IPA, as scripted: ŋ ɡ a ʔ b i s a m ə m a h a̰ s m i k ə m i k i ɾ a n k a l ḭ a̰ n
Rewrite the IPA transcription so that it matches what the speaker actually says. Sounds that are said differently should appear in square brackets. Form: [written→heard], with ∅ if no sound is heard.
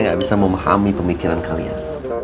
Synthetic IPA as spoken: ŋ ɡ a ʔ b i s a m ə m a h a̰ [s→∅] m i [k→p] ə m i k i ɾ a n k a l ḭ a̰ n